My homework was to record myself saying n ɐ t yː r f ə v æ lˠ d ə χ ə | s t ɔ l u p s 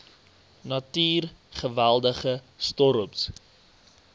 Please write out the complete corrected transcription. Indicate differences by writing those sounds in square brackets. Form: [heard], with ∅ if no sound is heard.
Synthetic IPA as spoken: n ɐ t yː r [χ] ə v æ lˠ d ə χ ə | s t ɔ [ɾ] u p s